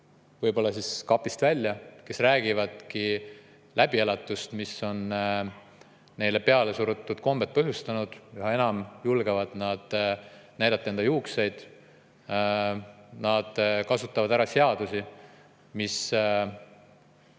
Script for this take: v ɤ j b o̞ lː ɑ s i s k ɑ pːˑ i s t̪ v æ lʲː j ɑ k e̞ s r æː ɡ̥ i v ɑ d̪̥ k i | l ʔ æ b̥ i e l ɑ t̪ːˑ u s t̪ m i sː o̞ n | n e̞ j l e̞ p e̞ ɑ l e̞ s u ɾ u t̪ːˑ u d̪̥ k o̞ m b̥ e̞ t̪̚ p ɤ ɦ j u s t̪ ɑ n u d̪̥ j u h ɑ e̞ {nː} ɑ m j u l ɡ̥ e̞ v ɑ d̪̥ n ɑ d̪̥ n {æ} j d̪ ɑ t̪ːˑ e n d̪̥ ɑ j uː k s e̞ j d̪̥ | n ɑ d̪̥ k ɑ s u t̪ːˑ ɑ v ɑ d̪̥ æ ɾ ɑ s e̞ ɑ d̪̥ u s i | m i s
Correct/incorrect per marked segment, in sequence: incorrect: n, correct

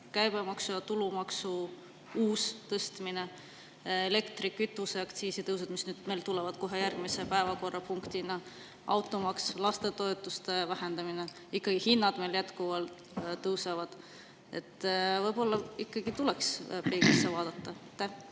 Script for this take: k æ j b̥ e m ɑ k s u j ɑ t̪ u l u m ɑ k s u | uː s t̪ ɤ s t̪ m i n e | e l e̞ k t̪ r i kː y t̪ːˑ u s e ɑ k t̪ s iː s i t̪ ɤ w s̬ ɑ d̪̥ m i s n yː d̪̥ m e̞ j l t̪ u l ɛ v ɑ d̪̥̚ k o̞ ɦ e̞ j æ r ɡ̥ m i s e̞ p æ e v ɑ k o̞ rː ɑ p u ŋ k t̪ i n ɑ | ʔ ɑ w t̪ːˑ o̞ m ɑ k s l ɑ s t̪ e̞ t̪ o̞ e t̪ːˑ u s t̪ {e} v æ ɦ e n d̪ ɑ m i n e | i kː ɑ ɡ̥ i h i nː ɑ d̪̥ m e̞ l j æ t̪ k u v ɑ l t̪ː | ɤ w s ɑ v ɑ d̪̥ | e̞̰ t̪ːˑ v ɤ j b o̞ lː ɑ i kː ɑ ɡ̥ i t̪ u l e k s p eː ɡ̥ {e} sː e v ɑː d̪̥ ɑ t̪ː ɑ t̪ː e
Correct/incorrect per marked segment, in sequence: correct, incorrect: i

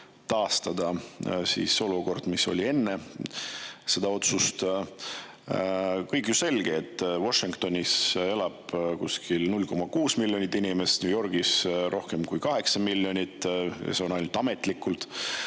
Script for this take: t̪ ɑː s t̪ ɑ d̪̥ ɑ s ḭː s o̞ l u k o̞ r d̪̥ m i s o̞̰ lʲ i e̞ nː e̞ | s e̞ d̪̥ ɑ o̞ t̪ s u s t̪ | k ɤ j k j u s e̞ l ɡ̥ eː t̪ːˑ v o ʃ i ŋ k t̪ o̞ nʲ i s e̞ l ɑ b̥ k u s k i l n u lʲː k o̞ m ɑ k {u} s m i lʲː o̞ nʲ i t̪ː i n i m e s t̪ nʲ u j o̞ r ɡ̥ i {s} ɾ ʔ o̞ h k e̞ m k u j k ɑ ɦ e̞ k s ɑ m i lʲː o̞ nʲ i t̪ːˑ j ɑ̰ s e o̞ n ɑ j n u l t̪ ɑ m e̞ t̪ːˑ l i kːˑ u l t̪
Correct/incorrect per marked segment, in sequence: incorrect: uː, correct

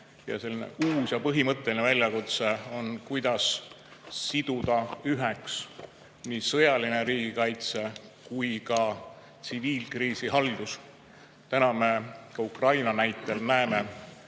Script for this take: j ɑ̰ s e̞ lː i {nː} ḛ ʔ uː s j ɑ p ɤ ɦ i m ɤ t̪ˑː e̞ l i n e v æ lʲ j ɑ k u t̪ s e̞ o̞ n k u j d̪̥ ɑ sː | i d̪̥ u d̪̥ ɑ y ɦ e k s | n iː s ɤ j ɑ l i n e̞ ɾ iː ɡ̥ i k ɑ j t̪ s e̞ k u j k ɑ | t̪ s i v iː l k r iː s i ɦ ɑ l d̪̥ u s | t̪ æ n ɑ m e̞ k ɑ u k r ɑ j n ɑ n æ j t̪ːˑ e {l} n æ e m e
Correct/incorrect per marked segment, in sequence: incorrect: n, correct

